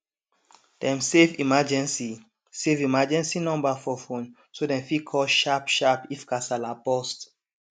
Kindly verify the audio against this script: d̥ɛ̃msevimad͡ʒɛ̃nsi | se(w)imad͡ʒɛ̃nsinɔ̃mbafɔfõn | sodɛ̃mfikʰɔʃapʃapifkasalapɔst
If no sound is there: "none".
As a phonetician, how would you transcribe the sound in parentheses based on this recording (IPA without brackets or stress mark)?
v